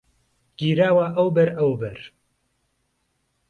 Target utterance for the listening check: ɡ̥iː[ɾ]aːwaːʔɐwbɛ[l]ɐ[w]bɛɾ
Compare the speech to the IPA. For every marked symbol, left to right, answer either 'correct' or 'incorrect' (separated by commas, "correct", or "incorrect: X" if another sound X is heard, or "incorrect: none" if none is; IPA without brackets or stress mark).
correct, incorrect: ɾ, correct